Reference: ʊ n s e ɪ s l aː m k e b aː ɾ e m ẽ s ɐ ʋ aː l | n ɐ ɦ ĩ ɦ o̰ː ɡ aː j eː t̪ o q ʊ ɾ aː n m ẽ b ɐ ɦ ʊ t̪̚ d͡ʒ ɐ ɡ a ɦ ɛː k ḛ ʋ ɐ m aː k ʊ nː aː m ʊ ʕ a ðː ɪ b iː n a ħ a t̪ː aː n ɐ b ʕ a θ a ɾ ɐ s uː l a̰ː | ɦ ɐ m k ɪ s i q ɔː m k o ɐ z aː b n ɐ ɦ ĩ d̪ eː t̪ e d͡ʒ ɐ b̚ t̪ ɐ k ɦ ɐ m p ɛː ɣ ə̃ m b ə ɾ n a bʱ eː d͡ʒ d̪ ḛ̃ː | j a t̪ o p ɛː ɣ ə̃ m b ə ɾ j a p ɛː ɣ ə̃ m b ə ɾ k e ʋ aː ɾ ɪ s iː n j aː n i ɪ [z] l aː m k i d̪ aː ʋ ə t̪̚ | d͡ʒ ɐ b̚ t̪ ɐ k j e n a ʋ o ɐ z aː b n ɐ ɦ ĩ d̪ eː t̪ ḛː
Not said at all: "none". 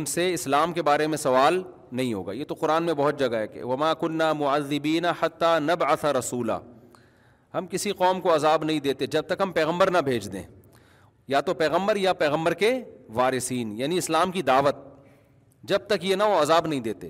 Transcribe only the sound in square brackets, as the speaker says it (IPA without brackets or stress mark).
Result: s